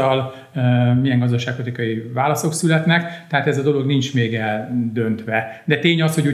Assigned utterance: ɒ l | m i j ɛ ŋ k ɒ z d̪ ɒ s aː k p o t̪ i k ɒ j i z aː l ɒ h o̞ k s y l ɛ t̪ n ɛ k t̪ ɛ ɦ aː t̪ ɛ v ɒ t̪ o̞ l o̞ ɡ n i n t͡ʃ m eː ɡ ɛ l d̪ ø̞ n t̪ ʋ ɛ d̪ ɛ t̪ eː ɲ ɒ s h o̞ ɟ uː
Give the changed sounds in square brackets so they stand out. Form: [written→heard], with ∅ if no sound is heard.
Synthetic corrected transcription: ɒ l | m i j ɛ ŋ [k→ɡ] ɒ z d̪ ɒ [s→ʃ] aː k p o t̪ i k ɒ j i [z→v] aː l ɒ [h→s] o̞ k s y l ɛ t̪ n ɛ k t̪ ɛ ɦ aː t̪ ɛ [v→z] ɒ [t̪→d̪] o̞ l o̞ ɡ n i n t͡ʃ m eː ɡ ɛ l d̪ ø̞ n t̪ ʋ ɛ d̪ ɛ t̪ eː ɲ ɒ s h o̞ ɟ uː